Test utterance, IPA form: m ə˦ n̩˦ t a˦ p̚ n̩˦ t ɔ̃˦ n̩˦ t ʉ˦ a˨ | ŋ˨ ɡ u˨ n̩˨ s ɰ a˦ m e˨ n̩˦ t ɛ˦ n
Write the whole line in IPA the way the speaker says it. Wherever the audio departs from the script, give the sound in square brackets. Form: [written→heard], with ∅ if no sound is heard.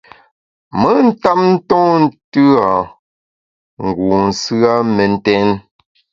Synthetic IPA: m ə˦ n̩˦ t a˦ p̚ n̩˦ t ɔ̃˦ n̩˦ t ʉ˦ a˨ | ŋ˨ ɡ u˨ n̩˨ s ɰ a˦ m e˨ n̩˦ t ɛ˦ n